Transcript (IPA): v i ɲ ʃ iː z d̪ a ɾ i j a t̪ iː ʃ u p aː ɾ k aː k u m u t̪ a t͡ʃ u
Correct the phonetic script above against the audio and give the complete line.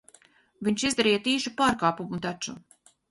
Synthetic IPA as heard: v i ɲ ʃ i z d̪ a ɾ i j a t̪ iː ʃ u p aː ɾ k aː p u m u t̪ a t͡ʃ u